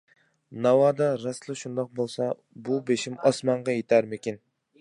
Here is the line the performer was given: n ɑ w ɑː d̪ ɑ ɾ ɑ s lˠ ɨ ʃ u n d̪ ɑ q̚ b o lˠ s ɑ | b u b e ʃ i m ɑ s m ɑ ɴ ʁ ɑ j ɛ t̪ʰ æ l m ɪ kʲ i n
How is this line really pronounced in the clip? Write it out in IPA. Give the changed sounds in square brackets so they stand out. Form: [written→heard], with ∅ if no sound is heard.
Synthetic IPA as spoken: n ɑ w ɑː d̪ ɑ ɾ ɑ s lˠ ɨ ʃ u n d̪ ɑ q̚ b o lˠ s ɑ | b u b e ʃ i m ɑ s m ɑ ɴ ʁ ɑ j [ɛ→e] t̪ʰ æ [l→ɾ] m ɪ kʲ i n